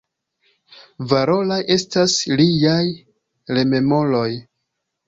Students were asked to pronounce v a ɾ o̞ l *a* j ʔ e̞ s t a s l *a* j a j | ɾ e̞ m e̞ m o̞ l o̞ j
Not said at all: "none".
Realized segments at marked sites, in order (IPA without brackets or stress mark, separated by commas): a, i